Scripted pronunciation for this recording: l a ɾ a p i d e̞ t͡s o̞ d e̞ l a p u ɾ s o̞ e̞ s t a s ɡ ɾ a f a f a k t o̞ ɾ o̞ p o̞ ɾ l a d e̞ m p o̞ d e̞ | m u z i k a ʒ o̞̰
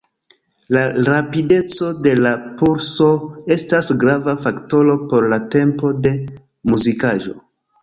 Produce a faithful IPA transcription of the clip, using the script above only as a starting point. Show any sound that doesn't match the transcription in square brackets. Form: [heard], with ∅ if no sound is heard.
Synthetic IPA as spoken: l a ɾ a p i d e̞ t͡s o̞ d e̞ l a p u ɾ s o̞ e̞ s t a s ɡ ɾ a [v] a f a k t o̞ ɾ o̞ p o̞ ɾ l a [t] e̞ m p o̞ d e̞ | m u z i k a ʒ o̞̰